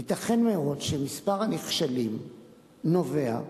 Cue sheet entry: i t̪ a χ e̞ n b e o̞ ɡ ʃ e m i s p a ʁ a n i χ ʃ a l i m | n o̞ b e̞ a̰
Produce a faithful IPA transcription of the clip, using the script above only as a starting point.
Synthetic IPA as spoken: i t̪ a χ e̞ n m e o̞ d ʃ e m i s p a ʁ a n i χ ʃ a l i m | n o̞ v e̞ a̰